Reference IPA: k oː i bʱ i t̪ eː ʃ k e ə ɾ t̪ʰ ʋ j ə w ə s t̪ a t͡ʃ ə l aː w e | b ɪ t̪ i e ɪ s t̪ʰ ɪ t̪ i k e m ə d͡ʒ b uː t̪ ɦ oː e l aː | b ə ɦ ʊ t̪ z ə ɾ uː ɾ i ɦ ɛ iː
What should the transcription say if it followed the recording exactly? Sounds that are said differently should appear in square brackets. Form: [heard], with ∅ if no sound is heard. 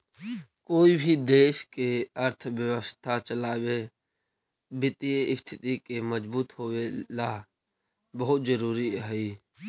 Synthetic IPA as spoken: k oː i bʱ i [d̪] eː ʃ k e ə ɾ t̪ʰ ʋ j ə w ə s [t̪ʰ] a t͡ʃ ə l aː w e | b ɪ t̪ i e ɪ s t̪ʰ ɪ t̪ i k e m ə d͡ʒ b uː t̪ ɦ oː e l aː | b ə ɦ ʊ t̪ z ə ɾ uː ɾ i ɦ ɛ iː